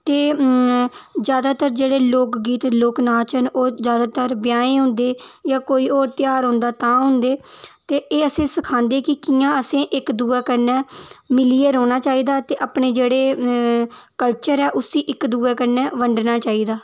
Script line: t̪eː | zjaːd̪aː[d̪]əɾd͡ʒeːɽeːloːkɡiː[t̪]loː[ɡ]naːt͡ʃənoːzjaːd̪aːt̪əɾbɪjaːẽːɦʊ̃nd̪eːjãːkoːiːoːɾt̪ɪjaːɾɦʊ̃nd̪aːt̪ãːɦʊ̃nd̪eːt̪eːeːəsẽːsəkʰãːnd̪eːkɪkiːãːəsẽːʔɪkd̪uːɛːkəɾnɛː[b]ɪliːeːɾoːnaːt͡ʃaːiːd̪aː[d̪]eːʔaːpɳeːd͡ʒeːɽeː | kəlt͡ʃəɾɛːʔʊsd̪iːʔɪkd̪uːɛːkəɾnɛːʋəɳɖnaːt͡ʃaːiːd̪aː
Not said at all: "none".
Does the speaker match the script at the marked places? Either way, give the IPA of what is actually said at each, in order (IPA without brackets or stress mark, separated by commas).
t̪, t̪, k, m, t̪